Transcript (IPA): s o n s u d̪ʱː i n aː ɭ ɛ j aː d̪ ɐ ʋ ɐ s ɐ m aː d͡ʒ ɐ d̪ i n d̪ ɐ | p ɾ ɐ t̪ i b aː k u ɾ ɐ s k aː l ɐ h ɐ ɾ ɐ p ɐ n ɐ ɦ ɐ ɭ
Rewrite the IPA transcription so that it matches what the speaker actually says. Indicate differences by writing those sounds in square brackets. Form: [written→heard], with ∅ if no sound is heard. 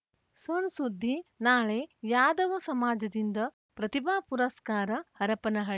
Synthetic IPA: s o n s u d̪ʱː i n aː ɭ [ɛ→e] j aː d̪ ɐ ʋ ɐ s ɐ m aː d͡ʒ ɐ d̪ i n d̪ ɐ | p ɾ ɐ t̪ i b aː [k→p] u ɾ ɐ s k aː [l→ɾ] ɐ h ɐ ɾ ɐ p ɐ n ɐ ɦ ɐ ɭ